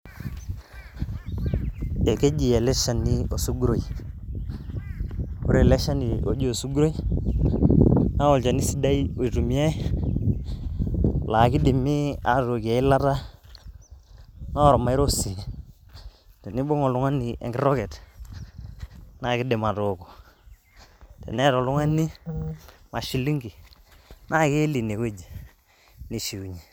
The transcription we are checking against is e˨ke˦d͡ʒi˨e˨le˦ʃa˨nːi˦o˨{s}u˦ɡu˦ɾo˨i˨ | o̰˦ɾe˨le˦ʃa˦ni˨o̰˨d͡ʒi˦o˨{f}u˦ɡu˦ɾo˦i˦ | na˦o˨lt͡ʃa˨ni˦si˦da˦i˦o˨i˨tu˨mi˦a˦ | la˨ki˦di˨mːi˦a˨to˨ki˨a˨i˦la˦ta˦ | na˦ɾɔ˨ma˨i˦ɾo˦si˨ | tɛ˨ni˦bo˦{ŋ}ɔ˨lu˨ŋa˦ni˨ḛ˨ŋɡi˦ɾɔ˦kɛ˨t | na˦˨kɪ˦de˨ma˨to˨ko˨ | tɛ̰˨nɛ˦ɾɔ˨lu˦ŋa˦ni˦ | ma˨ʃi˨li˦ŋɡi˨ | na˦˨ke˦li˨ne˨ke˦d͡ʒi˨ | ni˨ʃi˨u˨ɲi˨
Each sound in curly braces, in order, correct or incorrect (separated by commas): correct, incorrect, correct